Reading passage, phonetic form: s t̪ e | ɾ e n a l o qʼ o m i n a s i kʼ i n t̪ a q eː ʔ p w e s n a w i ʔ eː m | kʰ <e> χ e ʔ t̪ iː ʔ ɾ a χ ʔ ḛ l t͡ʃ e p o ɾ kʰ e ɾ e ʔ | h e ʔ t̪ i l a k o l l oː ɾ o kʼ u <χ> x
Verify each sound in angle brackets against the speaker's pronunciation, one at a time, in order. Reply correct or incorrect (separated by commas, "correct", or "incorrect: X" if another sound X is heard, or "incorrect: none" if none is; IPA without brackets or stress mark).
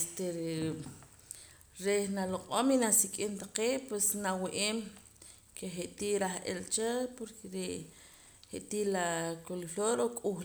correct, incorrect: none